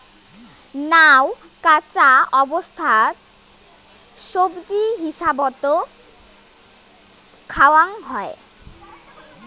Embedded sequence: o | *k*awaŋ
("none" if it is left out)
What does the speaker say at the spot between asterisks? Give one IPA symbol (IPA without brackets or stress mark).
kʰ